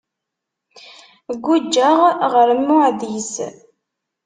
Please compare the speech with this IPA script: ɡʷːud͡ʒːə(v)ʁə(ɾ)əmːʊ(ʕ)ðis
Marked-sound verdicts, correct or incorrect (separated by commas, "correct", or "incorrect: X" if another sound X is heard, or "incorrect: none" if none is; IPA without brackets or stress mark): incorrect: ʁ, correct, correct